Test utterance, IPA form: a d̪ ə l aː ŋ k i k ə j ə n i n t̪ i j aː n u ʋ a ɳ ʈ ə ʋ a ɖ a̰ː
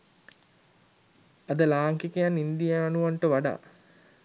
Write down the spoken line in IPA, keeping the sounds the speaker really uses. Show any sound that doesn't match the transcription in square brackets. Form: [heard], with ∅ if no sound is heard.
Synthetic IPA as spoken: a d̪ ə l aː ŋ k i k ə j [a] n i n [d̪] i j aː n u ʋ a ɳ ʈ ə ʋ a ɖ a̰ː